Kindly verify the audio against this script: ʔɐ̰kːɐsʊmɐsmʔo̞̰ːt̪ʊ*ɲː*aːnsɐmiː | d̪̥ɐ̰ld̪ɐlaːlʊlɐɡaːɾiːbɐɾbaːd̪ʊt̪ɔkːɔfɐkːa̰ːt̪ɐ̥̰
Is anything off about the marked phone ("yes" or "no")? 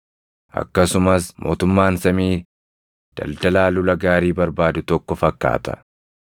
yes